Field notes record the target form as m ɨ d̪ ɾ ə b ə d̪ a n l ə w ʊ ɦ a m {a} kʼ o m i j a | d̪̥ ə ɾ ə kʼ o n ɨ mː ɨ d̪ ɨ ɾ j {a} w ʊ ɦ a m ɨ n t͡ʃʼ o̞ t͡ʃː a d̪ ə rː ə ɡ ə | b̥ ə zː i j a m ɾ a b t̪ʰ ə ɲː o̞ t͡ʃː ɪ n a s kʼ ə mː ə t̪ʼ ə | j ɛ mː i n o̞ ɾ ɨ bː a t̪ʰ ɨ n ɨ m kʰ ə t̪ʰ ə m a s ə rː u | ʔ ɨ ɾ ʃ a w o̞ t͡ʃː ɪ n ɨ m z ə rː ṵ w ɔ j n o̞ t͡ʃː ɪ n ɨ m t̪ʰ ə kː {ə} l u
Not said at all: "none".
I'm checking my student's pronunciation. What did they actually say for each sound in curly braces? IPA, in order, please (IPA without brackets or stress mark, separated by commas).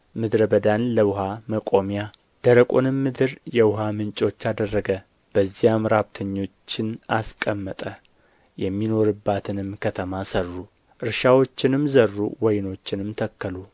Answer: ə, ɛ, ə